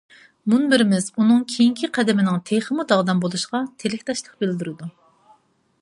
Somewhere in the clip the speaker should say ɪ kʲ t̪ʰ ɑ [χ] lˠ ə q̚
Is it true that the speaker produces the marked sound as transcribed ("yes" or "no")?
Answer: no